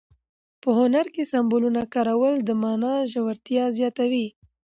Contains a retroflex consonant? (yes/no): no